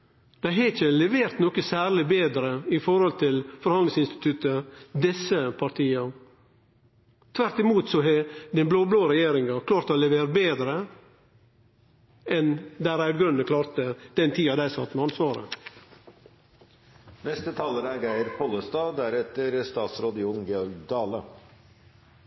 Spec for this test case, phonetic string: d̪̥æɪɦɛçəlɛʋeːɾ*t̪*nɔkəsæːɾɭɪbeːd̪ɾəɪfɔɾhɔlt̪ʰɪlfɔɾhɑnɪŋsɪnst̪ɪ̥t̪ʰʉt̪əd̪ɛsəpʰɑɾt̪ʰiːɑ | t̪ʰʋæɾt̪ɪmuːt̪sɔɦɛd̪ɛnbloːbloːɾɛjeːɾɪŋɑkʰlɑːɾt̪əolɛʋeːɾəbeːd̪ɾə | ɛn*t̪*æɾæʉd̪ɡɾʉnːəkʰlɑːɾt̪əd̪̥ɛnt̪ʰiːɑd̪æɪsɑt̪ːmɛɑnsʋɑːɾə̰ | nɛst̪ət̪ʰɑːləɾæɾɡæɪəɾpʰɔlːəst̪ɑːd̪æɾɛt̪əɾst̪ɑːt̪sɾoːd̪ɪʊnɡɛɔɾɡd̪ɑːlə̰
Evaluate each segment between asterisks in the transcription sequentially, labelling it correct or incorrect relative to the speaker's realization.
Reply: correct, incorrect

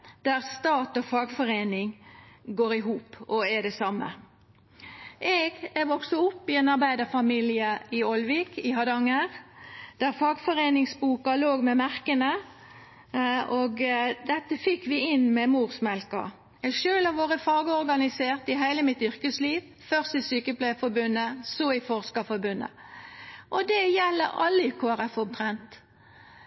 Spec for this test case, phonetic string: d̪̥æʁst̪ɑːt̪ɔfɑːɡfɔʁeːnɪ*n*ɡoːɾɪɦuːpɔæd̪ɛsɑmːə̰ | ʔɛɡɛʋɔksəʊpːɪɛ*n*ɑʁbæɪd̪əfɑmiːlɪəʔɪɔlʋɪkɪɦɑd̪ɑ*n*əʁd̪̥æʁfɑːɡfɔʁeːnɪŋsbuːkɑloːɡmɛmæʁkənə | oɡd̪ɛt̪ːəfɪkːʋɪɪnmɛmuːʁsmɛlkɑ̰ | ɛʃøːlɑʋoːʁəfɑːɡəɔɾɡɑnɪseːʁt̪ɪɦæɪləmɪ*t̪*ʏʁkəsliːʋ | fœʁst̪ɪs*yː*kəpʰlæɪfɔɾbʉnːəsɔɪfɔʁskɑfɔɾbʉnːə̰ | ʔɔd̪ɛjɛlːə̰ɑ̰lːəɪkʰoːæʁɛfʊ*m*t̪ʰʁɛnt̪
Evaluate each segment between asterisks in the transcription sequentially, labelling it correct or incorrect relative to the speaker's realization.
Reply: incorrect, correct, incorrect, correct, correct, correct

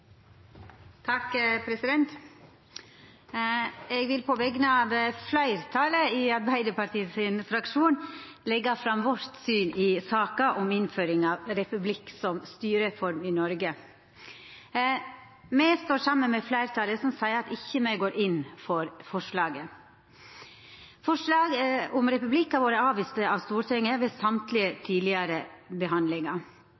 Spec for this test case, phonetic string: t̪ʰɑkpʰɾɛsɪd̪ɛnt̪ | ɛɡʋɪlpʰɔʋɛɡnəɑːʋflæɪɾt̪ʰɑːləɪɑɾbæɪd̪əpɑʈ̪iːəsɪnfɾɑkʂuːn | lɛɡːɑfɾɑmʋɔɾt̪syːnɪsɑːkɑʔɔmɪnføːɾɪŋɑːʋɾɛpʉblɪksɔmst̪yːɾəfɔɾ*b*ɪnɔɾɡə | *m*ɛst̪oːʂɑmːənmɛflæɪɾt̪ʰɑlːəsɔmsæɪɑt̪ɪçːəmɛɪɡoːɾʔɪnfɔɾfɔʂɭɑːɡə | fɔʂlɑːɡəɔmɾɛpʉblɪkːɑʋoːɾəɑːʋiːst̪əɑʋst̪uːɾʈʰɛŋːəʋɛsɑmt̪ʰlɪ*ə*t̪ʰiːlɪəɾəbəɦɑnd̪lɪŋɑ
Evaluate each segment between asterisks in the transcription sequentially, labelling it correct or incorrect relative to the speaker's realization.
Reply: incorrect, correct, correct

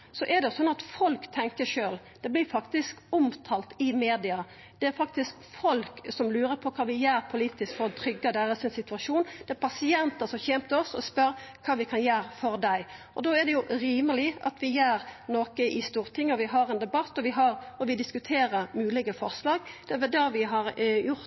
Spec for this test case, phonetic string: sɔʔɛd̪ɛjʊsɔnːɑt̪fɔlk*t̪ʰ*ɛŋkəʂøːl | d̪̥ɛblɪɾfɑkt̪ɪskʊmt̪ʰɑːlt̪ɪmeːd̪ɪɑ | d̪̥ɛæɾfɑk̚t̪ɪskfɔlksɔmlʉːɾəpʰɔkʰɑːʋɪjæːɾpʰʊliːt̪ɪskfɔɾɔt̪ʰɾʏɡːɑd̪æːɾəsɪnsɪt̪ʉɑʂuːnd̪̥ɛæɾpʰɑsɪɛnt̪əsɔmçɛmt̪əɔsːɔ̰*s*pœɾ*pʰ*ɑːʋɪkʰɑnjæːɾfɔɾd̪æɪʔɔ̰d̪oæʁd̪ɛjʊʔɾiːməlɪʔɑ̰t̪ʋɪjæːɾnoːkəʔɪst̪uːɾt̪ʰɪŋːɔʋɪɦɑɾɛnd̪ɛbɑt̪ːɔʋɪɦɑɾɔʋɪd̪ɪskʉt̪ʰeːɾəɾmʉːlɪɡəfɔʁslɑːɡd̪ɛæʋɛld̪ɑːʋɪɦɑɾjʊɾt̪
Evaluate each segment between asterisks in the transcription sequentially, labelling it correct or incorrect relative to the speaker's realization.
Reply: correct, correct, incorrect

